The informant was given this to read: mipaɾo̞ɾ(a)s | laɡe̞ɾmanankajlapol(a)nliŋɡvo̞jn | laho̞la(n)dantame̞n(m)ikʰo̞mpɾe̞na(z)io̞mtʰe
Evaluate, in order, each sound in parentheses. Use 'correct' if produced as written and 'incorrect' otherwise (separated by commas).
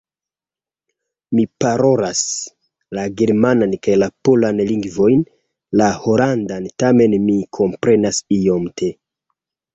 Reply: correct, correct, correct, correct, incorrect